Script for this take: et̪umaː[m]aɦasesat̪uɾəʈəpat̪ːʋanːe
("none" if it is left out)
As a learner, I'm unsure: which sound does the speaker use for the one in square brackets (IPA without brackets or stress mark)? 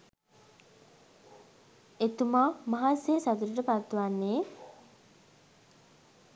m